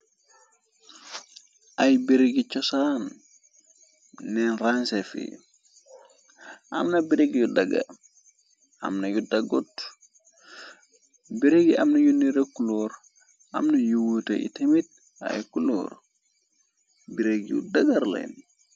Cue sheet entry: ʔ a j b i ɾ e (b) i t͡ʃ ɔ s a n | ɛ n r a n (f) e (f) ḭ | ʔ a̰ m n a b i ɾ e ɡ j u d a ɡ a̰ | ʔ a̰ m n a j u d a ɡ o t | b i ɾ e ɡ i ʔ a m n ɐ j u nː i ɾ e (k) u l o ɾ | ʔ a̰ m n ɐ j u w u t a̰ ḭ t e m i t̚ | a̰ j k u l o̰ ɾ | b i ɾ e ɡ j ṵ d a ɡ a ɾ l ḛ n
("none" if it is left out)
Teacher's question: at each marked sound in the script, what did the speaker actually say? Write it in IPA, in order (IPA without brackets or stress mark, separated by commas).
ɡ, s, f, k